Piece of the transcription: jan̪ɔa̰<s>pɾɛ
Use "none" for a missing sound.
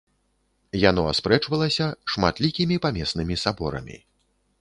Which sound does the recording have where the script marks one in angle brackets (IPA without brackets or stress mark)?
s